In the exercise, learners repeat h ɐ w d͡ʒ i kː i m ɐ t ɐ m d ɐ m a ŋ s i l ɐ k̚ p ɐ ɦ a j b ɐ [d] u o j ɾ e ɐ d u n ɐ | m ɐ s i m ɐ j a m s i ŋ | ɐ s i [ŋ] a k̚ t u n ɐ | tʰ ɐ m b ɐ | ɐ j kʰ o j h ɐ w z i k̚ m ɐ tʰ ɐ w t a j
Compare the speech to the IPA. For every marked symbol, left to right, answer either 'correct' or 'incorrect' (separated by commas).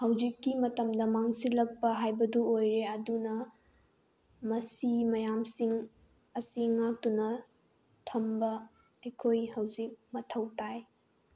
correct, correct